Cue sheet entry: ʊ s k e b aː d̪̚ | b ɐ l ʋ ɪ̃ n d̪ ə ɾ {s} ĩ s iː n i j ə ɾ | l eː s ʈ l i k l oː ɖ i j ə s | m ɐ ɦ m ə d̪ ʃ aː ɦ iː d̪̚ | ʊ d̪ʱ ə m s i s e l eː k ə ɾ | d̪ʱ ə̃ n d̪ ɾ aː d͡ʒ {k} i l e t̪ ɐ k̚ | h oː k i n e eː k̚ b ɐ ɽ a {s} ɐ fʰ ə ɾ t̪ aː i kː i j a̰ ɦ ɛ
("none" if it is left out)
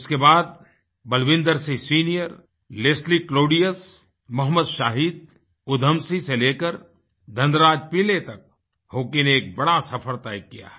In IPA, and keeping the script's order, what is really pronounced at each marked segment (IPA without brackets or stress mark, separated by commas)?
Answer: s, p, s